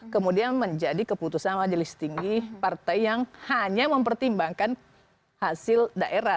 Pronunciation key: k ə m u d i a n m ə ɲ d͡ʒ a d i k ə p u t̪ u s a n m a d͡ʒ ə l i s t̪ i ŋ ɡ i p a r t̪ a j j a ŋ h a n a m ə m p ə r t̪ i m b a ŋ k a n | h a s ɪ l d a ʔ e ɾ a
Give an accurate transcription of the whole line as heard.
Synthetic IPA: k ə m u d i a n m ə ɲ d͡ʒ a d i k ə p u t̪ u s a n m a d͡ʒ ə l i s t̪ i ŋ ɡ i p a r t̪ a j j a ŋ h a ɲ a m ə m p ə r t̪ i m b a ŋ k a n | h a s ɪ l d a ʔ e ɾ a